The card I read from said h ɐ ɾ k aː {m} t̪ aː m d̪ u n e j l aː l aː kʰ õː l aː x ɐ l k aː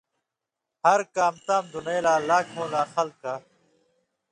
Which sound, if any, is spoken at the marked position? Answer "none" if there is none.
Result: m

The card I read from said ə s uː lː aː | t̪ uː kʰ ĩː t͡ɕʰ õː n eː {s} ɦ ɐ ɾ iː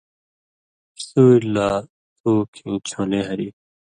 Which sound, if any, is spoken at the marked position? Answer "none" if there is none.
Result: none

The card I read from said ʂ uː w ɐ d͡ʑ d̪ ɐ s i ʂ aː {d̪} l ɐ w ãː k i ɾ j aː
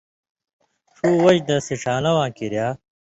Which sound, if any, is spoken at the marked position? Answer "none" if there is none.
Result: none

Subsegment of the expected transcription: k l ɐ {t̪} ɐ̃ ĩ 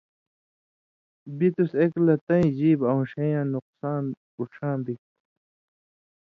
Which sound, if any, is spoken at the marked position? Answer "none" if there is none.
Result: t̪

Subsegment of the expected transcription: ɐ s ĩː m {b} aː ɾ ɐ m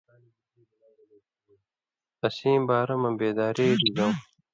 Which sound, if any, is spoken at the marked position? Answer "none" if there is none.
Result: b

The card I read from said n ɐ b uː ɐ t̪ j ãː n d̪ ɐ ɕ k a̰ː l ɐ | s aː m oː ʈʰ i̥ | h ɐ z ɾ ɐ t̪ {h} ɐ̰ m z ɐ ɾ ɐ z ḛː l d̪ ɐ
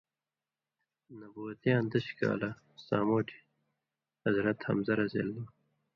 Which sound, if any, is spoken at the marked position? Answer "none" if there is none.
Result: h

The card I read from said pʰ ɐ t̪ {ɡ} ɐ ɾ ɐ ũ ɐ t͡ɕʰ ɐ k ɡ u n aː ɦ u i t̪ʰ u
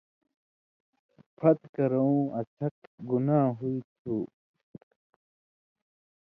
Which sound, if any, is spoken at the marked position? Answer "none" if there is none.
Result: k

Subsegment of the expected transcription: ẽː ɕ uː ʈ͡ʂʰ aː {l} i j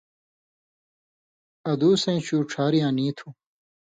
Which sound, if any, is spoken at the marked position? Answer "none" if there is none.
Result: ɾ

